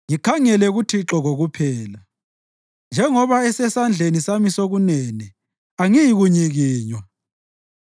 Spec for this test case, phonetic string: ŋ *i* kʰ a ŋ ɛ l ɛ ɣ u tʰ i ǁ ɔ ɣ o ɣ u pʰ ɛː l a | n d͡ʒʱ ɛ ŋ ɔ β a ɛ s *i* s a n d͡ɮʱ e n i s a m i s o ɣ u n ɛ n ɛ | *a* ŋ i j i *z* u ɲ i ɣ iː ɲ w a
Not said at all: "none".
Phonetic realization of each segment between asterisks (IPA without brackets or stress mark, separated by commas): i, ɛ, a, ɣ